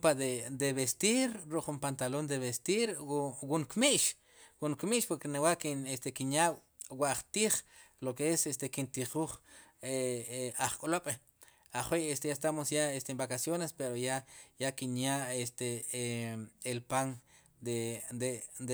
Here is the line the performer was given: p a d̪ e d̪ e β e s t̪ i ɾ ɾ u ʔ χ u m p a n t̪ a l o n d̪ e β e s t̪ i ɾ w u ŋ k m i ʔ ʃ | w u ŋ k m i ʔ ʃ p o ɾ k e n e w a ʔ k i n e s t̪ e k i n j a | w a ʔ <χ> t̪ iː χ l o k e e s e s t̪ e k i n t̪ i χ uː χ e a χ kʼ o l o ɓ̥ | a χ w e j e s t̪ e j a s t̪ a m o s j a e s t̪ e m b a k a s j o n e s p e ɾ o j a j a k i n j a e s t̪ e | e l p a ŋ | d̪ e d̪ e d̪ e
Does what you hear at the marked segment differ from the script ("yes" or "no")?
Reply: no